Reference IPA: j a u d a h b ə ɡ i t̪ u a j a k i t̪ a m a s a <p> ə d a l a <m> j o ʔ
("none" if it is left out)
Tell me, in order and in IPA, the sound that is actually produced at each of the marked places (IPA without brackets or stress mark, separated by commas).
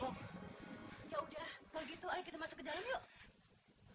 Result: k, m